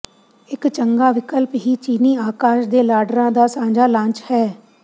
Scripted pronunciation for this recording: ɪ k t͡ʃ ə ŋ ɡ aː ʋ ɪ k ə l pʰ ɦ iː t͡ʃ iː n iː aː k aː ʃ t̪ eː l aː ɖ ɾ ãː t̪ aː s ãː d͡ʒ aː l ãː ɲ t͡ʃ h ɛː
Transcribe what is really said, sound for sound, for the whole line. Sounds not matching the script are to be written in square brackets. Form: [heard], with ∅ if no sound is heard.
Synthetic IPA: ɪ k t͡ʃ ə ŋ ɡ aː ʋ ɪ k ə l [p] ɦ iː t͡ʃ iː n iː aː k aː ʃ [d̪] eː l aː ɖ ɾ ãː [d̪] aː s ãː d͡ʒ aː l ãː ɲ t͡ʃ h ɛː